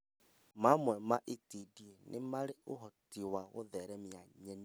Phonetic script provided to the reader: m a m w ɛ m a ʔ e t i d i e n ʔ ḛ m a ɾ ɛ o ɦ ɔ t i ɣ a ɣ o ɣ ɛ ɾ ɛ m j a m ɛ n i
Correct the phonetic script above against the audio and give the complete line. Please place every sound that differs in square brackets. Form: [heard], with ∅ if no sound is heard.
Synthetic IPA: m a m w ɛ m a ʔ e t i d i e n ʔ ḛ m a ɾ [e] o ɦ ɔ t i [w] a ɣ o [ð] ɛ ɾ ɛ m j a [ɲ] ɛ n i